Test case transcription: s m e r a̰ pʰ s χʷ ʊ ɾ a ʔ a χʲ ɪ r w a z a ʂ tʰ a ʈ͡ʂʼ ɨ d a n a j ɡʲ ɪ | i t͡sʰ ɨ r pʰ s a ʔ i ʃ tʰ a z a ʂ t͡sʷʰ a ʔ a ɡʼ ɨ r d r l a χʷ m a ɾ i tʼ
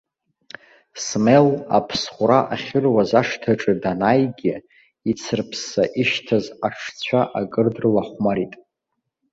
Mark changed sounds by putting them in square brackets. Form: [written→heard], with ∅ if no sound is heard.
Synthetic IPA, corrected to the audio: s m e [r→l] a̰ pʰ s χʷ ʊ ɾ a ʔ a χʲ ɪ r w a z a ʂ tʰ a ʈ͡ʂʼ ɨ d a n a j ɡʲ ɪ | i t͡sʰ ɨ r pʰ s a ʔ i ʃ tʰ a z a ʂ t͡sʷʰ a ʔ a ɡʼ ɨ r d r l a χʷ m a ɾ i tʼ